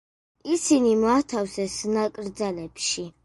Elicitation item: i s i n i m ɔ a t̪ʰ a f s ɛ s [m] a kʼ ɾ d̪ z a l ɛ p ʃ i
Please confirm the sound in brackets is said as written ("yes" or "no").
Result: no